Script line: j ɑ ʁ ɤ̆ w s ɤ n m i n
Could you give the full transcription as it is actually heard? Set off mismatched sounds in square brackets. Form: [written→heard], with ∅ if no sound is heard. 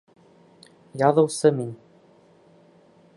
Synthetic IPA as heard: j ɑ [ʁ→ð] ɤ̆ w s ɤ [n→∅] m i n